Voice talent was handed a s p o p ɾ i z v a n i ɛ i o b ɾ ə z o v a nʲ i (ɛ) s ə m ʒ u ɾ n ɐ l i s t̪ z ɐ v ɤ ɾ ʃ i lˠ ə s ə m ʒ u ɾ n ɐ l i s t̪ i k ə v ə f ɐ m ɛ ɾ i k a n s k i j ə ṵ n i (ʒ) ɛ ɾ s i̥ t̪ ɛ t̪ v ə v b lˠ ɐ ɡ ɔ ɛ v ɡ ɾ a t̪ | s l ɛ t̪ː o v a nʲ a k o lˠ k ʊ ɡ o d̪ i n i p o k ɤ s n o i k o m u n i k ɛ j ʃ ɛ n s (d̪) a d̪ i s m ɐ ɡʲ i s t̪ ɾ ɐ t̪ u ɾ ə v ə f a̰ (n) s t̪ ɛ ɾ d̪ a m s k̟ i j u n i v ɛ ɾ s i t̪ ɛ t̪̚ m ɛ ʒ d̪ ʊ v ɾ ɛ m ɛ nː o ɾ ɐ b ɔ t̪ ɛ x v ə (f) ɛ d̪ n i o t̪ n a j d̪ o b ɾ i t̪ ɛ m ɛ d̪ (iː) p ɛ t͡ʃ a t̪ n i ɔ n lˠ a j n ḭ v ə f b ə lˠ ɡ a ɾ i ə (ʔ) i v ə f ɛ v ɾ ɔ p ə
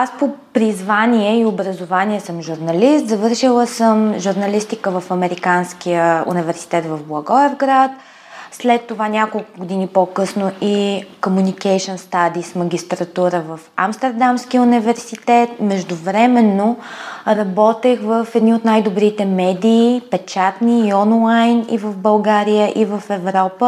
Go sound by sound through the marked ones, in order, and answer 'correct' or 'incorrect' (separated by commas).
correct, incorrect, incorrect, incorrect, correct, correct, correct